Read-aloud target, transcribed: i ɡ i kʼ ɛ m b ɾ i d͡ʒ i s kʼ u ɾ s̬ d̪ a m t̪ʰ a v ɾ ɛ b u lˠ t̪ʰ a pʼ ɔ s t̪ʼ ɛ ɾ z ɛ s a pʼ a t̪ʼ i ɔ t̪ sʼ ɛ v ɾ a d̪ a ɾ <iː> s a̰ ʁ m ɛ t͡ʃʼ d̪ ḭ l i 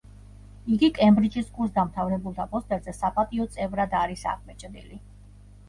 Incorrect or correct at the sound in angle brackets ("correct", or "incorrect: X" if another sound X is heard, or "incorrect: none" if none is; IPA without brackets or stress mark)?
incorrect: i